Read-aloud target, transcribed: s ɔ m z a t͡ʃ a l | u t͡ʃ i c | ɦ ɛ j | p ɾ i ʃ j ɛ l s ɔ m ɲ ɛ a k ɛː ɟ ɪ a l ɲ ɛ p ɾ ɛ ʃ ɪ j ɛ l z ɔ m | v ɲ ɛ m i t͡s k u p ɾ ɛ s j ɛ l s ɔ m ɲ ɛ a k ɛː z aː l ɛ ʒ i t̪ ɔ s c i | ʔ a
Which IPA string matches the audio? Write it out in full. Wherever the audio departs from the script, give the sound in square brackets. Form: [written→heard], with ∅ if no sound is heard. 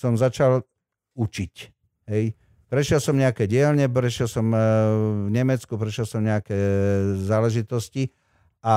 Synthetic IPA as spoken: s ɔ m z a t͡ʃ a l | u t͡ʃ i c | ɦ ɛ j | p ɾ [i→ɛ] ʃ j ɛ l s ɔ m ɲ ɛ a k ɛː ɟ ɪ [a→ɛ] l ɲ ɛ p ɾ ɛ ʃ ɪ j ɛ l [z→s] ɔ m | v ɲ ɛ m [i→ɛ] t͡s k u p ɾ ɛ [s→ʃ] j ɛ l s ɔ m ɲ ɛ a k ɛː z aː l ɛ ʒ i t̪ ɔ s c i | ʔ a